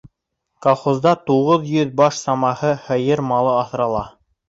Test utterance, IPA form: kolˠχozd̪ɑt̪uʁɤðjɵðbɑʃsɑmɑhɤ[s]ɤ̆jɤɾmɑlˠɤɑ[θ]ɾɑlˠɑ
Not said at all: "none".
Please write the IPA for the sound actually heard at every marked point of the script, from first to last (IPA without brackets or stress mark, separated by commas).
h, θ